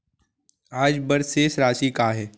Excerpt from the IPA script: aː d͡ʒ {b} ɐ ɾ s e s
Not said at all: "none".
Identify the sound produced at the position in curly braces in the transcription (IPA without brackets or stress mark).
b